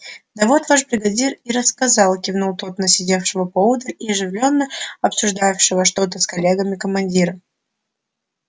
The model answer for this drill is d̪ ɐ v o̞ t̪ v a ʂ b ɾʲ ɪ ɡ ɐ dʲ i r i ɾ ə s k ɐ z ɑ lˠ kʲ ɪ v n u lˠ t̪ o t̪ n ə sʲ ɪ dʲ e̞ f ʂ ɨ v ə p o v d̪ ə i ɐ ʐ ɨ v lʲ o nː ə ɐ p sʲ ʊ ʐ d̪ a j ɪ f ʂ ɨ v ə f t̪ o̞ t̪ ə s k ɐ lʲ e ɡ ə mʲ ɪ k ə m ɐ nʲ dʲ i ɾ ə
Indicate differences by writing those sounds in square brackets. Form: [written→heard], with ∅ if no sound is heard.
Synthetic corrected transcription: d̪ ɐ v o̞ t̪ v a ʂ b ɾʲ ɪ ɡ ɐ dʲ i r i ɾ ə s k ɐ z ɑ lˠ kʲ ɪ v n u lˠ t̪ o t̪ n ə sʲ ɪ dʲ e̞ f ʂ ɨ v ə p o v d̪ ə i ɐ ʐ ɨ v lʲ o nː ə ɐ p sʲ ʊ ʐ d̪ a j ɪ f ʂ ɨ v ə [f→ʂ] t̪ o̞ t̪ ə s k ɐ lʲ e ɡ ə mʲ ɪ k ə m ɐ nʲ dʲ i ɾ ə